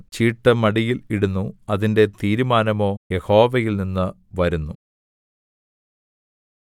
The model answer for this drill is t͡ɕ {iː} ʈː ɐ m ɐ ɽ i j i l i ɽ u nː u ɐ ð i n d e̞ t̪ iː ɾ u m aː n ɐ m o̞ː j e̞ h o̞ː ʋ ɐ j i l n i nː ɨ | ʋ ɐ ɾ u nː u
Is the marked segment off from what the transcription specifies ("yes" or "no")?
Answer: no